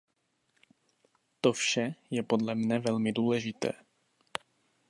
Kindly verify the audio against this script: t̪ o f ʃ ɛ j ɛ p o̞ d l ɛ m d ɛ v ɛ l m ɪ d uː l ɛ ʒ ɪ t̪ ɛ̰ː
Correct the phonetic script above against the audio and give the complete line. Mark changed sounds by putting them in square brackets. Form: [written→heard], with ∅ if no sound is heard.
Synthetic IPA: t̪ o f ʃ ɛ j ɛ p o̞ d l ɛ m [d→n] ɛ v ɛ l m ɪ d uː l ɛ ʒ ɪ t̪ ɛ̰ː